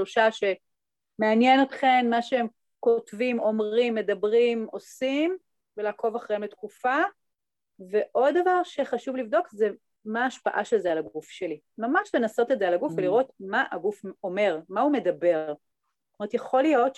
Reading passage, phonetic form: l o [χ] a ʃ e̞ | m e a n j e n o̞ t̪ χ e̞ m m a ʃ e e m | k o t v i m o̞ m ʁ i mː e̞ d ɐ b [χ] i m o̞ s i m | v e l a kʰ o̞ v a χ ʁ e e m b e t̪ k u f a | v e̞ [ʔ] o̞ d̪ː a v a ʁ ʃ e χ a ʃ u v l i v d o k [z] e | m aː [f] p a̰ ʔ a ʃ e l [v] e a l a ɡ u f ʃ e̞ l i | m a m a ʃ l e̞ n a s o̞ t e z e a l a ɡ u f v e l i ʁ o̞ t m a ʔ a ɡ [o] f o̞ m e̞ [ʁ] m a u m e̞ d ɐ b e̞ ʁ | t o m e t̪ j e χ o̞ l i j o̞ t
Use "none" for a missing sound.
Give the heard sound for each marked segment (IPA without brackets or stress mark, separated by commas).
ʃ, ʁ, ʔ, z, ʃ, z, u, ʁ